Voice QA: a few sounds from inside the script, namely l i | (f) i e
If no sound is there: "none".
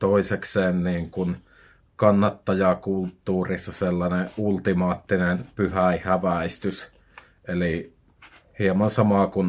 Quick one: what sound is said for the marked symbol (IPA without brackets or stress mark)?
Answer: h